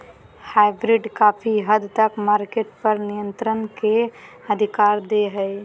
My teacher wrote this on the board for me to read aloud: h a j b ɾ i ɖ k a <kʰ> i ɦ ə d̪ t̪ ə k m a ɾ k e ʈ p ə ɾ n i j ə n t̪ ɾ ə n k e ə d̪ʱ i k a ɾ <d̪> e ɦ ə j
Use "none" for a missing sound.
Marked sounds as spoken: pʰ, d̪

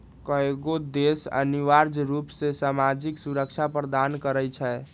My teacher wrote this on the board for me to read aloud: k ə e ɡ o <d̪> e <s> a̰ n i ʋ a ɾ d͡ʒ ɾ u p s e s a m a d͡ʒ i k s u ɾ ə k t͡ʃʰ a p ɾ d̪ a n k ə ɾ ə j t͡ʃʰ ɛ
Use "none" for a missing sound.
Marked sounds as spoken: d̪, s

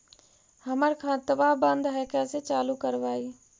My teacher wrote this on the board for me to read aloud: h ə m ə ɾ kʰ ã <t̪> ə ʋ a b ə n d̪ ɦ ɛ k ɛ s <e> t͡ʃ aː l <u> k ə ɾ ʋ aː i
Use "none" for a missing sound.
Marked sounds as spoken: t̪, e, u

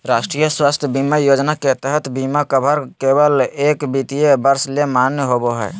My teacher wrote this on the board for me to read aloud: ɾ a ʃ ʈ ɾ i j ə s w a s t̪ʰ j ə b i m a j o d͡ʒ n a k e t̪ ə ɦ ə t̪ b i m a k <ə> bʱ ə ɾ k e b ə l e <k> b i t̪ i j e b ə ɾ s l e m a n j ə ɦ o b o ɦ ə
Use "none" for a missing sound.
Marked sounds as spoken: ə, k

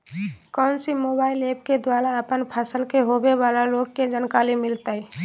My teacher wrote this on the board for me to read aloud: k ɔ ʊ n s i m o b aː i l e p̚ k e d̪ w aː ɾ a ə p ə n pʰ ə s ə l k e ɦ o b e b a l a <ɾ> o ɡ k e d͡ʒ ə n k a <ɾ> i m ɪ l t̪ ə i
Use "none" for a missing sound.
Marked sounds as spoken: l, l

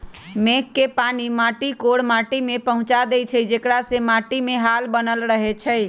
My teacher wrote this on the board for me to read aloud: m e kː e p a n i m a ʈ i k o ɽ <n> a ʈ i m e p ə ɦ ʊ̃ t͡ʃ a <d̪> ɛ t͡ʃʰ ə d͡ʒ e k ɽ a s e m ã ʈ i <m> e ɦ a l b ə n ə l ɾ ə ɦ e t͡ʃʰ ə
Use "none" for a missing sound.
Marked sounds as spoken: m, d̪, m

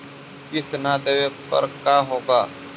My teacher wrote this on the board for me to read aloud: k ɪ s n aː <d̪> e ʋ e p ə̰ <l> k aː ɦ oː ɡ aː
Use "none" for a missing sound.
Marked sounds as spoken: d̪, ɾ

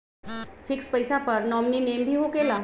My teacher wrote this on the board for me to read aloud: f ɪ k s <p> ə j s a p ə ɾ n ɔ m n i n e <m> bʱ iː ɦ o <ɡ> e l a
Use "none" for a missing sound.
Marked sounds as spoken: p, m, k

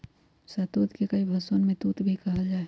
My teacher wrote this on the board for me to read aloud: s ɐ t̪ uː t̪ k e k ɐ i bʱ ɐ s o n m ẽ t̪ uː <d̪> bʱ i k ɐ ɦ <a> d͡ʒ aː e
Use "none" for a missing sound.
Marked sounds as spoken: t̪, a

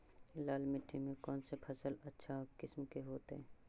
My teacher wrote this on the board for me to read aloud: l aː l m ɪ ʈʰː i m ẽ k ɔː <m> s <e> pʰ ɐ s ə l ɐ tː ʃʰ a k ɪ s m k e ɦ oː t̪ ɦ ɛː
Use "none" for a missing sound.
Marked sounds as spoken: n, e

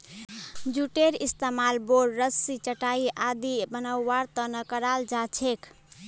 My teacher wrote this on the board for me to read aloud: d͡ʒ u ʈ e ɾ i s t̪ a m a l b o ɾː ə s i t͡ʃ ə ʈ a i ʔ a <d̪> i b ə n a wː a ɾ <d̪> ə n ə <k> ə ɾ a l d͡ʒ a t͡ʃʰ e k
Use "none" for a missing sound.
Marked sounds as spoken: d̪, t̪, k

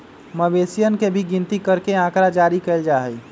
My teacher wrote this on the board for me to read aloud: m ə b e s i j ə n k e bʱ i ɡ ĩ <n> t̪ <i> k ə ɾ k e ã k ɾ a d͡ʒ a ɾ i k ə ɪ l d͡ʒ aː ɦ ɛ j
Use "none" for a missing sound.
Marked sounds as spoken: n, i

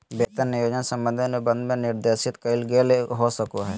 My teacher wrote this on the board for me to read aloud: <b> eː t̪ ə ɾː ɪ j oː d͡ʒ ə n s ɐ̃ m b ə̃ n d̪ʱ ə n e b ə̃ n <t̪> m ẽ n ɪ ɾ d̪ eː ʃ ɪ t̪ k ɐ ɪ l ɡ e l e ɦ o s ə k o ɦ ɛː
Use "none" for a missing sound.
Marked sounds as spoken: b, d̪

